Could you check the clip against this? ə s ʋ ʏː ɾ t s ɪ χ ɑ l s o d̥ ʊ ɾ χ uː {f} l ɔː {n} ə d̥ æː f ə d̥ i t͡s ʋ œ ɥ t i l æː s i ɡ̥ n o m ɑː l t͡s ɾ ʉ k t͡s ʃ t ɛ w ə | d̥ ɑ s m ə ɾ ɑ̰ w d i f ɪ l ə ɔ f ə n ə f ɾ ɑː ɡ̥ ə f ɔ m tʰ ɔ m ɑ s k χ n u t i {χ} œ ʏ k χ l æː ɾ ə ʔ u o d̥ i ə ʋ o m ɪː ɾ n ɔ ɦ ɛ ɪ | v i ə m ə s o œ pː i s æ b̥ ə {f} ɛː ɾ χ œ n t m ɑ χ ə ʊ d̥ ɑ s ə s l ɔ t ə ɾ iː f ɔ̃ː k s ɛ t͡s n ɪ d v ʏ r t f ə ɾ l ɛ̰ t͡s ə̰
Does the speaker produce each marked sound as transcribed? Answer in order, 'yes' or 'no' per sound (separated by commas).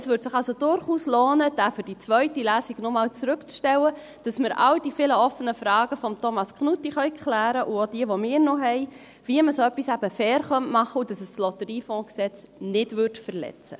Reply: no, yes, yes, yes